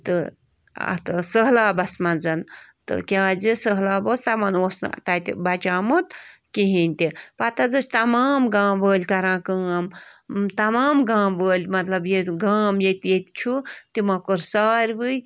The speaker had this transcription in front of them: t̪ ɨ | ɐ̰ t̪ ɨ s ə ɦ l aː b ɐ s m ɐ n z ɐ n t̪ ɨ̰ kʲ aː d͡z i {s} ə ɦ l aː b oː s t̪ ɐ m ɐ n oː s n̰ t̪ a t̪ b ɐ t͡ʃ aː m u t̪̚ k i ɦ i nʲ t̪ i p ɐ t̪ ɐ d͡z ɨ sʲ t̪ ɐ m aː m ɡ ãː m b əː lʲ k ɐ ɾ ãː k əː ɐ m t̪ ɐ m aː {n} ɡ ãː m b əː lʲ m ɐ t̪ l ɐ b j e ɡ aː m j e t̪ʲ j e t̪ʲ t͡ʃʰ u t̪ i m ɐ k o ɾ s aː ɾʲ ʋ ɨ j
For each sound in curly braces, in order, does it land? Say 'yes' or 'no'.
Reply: yes, no

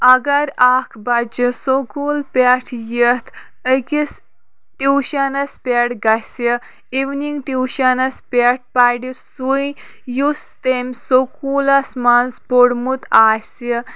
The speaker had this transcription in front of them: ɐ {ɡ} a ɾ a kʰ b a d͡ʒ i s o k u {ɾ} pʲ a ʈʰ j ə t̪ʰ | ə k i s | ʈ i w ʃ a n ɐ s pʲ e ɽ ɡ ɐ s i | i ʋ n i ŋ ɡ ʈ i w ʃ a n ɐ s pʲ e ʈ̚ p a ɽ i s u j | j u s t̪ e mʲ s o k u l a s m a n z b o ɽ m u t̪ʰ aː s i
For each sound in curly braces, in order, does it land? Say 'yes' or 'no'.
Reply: yes, no

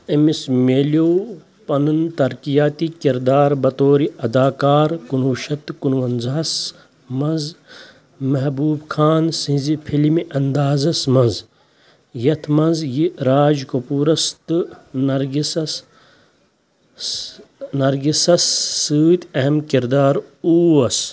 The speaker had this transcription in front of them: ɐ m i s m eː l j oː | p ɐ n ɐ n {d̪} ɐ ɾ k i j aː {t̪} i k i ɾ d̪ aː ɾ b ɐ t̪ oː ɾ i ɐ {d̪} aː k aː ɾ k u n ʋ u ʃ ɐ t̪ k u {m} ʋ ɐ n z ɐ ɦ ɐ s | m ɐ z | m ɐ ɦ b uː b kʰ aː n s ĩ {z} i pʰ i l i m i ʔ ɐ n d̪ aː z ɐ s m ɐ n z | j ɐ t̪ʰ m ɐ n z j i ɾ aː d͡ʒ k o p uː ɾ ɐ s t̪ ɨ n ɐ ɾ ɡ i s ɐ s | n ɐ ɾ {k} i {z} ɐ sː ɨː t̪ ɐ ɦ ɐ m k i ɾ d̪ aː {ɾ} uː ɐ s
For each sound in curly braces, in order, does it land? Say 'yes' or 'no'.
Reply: no, yes, yes, no, yes, no, no, yes

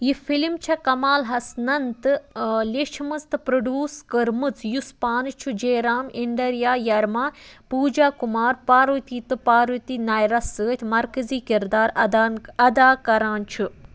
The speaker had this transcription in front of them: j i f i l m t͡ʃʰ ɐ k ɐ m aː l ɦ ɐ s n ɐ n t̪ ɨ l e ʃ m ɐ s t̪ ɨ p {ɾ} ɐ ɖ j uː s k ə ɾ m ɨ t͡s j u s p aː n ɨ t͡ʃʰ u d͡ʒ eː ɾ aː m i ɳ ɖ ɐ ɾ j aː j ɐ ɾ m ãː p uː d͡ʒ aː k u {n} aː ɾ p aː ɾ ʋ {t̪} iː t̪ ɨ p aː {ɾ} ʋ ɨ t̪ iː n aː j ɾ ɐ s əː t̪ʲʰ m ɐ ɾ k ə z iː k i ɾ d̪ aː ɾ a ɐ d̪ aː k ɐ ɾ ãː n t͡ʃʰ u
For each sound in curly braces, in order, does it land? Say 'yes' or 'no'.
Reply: yes, no, yes, yes

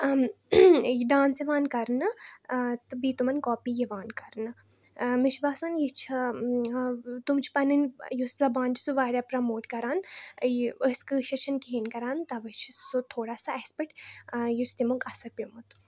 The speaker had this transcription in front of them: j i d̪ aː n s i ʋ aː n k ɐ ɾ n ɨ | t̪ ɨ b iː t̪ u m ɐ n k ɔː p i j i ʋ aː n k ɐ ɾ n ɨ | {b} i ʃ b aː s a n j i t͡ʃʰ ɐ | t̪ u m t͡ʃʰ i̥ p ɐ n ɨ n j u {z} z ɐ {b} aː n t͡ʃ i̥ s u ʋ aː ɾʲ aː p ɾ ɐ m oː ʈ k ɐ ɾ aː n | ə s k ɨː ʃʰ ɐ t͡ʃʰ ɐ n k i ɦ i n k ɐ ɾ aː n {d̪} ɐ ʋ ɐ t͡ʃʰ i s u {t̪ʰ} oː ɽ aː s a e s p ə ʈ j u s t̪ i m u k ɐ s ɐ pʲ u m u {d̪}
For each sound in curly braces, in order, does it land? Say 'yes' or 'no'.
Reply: no, no, yes, no, yes, no

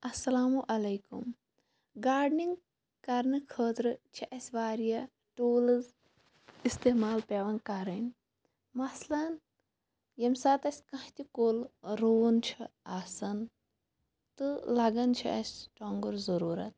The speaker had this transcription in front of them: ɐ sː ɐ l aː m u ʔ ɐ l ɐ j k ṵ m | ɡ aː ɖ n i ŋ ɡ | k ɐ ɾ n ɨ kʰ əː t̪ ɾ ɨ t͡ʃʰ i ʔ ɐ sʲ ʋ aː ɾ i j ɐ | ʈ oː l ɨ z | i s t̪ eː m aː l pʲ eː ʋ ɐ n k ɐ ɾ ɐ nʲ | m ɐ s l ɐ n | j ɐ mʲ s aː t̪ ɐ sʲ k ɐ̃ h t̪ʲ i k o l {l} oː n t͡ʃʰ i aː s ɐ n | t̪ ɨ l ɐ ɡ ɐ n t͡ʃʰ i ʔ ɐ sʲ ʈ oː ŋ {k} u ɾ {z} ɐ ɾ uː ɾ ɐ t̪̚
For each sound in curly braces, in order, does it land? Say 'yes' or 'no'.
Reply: no, no, yes

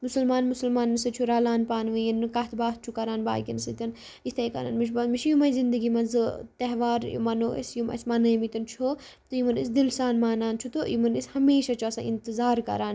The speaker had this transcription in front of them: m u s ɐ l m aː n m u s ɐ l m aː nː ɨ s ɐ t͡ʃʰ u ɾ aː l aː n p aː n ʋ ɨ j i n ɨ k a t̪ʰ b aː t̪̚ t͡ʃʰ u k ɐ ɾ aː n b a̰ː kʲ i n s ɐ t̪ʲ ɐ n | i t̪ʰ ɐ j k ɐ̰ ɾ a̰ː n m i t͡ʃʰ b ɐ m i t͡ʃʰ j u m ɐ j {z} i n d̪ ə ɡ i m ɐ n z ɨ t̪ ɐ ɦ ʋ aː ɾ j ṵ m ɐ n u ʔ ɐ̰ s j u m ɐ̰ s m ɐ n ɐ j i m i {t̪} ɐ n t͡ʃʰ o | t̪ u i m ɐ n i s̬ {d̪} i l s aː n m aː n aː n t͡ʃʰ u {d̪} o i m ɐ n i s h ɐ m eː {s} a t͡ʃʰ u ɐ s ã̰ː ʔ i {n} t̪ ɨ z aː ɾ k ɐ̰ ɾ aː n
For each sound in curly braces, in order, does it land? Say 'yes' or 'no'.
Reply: yes, yes, yes, no, no, yes

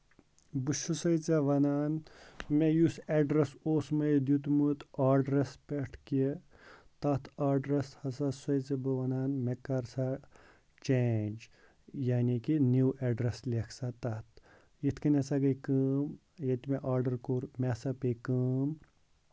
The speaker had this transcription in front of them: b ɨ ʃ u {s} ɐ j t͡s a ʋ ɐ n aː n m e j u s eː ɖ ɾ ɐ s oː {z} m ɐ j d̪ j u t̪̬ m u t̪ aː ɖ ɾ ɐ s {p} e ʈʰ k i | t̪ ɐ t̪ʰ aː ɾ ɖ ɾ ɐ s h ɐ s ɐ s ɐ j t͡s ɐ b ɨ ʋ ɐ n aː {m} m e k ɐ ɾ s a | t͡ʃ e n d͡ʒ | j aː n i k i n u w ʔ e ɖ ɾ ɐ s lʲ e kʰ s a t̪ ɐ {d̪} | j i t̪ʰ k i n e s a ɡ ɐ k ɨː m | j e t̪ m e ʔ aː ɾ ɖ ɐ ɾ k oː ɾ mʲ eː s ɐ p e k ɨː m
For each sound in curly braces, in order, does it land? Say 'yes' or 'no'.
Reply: yes, no, yes, no, no

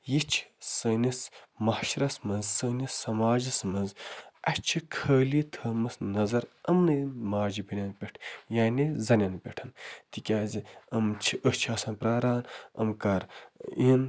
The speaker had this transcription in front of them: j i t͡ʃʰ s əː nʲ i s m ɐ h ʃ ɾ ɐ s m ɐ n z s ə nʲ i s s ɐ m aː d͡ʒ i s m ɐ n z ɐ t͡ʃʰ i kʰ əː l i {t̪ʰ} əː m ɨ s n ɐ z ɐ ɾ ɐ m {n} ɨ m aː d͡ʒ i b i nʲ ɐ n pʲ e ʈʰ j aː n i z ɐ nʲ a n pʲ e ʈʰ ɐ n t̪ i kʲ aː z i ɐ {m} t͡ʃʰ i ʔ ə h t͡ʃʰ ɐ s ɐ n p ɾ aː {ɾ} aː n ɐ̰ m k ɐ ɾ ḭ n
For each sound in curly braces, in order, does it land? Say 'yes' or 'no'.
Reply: yes, yes, yes, yes

